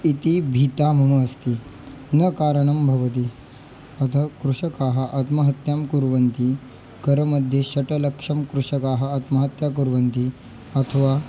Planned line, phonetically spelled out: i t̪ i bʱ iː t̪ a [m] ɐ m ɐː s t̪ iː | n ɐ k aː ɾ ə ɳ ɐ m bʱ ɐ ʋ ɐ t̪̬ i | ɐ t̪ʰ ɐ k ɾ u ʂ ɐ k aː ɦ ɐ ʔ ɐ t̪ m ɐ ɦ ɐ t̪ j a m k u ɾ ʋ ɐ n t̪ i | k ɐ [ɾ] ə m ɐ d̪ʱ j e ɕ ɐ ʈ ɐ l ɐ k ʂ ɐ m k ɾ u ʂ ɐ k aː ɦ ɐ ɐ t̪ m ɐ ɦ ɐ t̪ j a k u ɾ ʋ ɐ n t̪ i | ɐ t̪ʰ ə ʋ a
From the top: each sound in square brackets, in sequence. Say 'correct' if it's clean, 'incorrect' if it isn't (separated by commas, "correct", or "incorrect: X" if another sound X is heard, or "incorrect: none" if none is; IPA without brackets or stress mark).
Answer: correct, correct